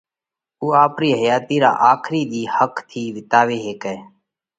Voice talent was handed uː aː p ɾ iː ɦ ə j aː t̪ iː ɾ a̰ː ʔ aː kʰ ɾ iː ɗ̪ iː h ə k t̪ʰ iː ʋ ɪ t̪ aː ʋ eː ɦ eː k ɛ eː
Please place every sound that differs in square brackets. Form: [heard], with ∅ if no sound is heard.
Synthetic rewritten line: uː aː p ɾ iː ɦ ə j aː t̪ iː ɾ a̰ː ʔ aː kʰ ɾ iː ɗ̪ iː h ə k t̪ʰ iː ʋ ɪ t̪ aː ʋ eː ɦ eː k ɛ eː